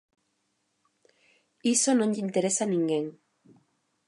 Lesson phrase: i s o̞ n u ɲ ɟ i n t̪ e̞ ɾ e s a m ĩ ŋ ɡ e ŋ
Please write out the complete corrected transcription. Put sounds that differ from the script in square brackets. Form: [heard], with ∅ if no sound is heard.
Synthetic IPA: i s o̞ n [o] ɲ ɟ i n t̪ e̞ ɾ e s a [n] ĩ ŋ ɡ e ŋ